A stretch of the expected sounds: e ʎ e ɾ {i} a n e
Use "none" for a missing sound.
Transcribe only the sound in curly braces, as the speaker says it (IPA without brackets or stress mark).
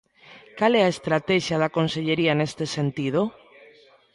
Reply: i